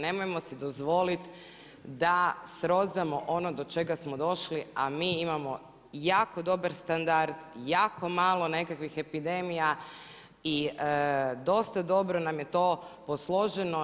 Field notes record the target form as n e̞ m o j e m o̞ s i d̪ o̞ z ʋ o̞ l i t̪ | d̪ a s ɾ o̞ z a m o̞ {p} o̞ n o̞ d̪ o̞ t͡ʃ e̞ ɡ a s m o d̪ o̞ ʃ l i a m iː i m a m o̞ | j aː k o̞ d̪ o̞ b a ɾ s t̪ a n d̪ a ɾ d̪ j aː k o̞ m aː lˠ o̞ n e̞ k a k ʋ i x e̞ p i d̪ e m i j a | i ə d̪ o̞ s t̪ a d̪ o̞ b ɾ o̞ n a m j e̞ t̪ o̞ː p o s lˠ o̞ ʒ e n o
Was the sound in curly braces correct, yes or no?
no